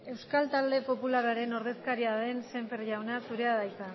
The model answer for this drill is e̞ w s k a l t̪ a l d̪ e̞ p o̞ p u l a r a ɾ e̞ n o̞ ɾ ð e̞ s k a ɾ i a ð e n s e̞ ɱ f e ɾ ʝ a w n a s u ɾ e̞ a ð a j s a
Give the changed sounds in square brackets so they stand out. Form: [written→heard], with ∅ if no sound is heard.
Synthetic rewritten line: e̞ w s k a l t̪ a l d̪ e̞ p o̞ p u l a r a ɾ e̞ n o̞ ɾ ð e̞ s k a ɾ i a ð e n s e̞ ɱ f e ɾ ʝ a w n a s u ɾ e̞ a ð a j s a